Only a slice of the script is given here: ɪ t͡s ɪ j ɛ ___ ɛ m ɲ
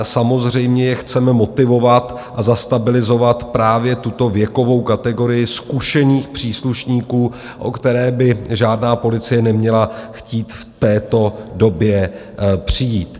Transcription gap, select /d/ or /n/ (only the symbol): n